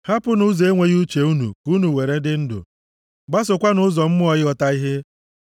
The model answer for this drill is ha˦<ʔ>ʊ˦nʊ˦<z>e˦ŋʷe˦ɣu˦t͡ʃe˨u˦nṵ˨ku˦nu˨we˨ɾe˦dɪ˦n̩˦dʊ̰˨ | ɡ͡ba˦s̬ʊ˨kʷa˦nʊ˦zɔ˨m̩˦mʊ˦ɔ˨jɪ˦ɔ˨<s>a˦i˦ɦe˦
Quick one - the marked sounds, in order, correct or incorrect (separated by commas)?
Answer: incorrect, correct, incorrect